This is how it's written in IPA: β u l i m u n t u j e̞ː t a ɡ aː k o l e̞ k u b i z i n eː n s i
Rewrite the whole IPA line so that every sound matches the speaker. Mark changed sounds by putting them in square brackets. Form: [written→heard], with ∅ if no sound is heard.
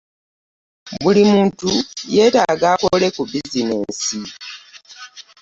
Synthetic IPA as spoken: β u l i m [u→uː] n t u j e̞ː t a ɡ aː k o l e̞ k u b i z i n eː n s i